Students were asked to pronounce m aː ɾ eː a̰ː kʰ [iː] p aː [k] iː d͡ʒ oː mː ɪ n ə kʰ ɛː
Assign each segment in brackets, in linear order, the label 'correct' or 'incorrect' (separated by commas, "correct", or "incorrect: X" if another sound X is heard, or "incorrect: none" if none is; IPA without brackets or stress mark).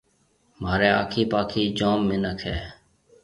correct, incorrect: kʰ